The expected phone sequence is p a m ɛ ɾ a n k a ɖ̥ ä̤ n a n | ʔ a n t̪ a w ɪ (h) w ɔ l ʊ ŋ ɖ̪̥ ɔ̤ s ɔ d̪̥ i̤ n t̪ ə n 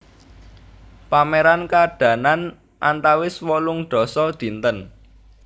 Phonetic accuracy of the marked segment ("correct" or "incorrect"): incorrect